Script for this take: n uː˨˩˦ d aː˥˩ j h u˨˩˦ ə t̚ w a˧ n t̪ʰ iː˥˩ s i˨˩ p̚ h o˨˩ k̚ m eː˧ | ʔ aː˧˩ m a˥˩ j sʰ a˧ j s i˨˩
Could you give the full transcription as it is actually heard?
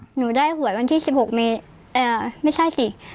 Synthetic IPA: n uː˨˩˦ d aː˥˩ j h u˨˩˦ ə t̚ w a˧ n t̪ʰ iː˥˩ s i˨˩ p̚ h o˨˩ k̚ m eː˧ | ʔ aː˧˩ m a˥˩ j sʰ a˥˩ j s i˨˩